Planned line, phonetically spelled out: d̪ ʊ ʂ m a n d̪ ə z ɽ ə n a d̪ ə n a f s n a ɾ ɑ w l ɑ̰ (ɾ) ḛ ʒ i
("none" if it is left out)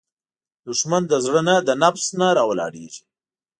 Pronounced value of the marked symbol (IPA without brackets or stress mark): ɽ